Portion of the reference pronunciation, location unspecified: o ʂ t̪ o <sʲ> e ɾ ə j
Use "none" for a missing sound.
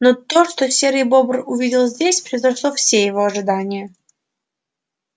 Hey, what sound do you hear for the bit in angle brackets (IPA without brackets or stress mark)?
sʲ